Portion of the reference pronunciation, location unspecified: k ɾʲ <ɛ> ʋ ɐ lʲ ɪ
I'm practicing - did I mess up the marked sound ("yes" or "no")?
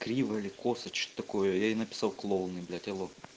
yes